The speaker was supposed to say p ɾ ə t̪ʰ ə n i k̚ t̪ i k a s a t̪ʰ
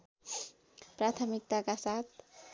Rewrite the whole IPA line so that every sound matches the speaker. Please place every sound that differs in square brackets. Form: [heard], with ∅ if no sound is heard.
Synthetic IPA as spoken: p ɾ [a] t̪ʰ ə [m] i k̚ t̪ [a] k a s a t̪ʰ